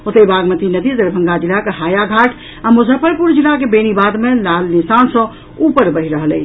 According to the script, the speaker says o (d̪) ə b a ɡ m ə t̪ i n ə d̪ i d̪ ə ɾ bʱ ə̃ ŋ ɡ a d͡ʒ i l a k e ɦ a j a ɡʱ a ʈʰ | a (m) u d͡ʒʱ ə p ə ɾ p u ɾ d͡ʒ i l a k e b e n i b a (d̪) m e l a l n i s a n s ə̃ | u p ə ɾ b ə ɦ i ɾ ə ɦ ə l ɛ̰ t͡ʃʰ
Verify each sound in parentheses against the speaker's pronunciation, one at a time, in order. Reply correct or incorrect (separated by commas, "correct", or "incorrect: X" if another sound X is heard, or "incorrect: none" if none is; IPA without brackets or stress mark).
incorrect: t̪, correct, correct